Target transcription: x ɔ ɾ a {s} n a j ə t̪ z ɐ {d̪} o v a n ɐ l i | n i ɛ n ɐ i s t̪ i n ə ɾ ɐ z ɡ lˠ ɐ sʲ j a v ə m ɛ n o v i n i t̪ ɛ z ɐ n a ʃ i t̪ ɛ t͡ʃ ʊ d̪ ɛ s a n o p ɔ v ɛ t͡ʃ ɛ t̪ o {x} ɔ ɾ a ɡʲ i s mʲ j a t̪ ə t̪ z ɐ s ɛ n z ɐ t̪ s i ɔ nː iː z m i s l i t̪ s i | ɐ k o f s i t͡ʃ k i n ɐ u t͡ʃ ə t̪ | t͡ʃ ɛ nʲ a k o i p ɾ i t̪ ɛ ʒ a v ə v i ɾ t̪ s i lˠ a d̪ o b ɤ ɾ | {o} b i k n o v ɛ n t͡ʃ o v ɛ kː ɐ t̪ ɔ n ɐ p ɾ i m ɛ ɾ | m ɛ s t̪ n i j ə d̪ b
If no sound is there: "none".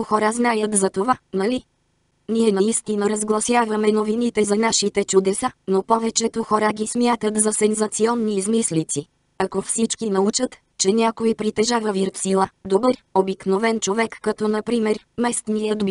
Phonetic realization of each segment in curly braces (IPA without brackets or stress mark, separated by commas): z, t̪, x, o